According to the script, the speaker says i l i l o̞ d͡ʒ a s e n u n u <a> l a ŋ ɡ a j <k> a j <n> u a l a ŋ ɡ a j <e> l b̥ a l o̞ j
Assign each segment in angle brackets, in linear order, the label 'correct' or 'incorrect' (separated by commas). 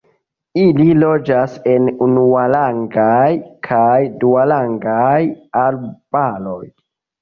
correct, incorrect, incorrect, incorrect